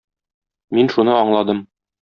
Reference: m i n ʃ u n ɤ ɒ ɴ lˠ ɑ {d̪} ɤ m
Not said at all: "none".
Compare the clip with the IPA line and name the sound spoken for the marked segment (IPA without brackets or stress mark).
d̪